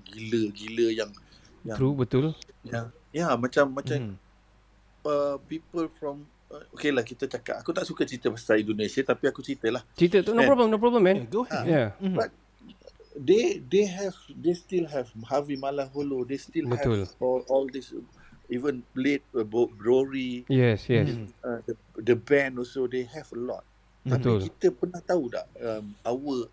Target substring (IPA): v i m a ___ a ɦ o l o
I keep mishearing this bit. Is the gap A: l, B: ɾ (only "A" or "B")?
A